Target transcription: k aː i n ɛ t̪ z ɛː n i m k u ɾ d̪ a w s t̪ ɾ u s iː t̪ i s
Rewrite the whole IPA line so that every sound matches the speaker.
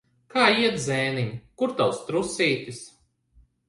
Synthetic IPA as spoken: k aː i ɛ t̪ z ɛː n i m k u ɾ t̪ a w s t̪ ɾ u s iː t̪ i s